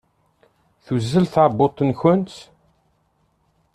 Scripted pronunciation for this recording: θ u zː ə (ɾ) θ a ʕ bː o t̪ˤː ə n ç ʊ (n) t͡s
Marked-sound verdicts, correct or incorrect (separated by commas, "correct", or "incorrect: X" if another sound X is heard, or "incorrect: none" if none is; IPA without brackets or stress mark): incorrect: l, correct